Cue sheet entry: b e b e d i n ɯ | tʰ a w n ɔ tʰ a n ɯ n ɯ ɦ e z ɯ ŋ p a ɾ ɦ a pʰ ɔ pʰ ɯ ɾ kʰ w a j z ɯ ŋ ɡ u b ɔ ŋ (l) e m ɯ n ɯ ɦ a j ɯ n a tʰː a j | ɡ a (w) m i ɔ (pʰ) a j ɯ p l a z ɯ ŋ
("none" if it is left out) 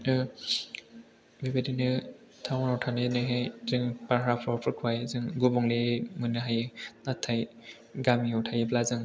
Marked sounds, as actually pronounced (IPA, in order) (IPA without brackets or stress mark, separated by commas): l, none, tʰ